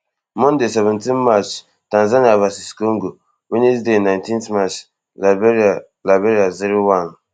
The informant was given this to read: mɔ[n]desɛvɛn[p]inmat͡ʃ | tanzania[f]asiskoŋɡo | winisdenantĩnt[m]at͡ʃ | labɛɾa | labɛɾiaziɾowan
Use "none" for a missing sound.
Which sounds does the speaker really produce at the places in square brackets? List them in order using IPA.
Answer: n, t, v, m

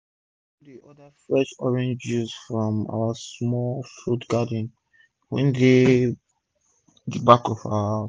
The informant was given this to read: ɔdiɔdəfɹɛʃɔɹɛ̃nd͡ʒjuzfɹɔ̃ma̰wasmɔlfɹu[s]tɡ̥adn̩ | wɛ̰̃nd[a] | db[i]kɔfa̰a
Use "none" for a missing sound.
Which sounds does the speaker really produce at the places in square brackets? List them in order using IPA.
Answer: none, e, a

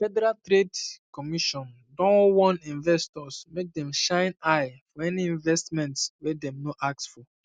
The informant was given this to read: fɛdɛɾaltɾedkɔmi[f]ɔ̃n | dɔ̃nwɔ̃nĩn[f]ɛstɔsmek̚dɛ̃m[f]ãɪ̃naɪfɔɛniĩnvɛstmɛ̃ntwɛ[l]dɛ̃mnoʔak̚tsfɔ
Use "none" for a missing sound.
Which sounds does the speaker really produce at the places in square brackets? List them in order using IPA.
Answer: ʃ, v, ʃ, none

